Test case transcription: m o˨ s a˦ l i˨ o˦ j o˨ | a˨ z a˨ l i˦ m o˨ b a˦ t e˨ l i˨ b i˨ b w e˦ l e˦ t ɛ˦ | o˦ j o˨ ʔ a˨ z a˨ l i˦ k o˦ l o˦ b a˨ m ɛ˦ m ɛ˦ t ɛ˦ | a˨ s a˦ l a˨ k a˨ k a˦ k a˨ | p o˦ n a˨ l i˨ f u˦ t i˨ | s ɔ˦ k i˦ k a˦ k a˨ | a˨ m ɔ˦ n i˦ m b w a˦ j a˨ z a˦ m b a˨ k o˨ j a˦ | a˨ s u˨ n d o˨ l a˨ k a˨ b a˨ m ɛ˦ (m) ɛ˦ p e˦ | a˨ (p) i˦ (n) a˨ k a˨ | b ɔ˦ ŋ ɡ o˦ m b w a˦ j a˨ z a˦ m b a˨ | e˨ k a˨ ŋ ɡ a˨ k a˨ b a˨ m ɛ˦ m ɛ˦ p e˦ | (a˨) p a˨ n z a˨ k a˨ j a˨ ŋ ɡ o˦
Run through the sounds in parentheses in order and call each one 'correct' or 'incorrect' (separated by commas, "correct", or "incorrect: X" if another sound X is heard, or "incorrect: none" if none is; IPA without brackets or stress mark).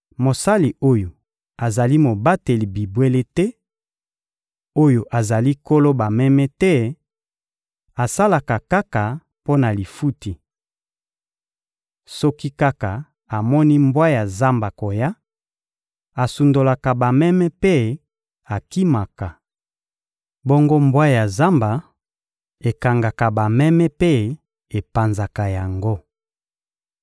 correct, incorrect: k, incorrect: m, incorrect: e˨